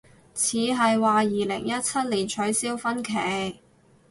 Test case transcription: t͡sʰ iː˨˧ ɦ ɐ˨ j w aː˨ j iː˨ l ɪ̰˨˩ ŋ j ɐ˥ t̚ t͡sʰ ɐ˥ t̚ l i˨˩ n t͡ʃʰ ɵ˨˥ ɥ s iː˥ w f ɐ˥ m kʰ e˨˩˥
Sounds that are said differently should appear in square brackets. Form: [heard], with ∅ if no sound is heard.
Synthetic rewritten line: t͡sʰ iː˨˧ ɦ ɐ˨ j w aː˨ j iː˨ l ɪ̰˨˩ ŋ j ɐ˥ t̚ t͡sʰ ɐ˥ t̚ l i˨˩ n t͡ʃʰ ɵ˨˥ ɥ s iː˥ w f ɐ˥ [n] kʰ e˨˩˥

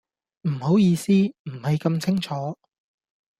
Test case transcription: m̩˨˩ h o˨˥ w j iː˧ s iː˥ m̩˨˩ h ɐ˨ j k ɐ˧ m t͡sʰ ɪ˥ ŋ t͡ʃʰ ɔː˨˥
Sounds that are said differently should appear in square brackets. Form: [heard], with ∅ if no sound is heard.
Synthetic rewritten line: m̩˨˩ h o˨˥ w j iː˧ s iː˥ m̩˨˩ h ɐ˨ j k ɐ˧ m t͡sʰ ɪ˥ ŋ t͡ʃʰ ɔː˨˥

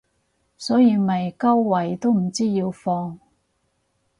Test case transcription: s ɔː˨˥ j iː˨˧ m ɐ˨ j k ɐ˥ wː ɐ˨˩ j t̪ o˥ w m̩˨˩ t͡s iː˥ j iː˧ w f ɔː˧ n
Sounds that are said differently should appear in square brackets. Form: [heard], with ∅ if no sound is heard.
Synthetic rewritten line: s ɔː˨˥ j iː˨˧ m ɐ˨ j k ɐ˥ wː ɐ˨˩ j t̪ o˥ w m̩˨˩ t͡s iː˥ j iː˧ w f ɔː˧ [ŋ]

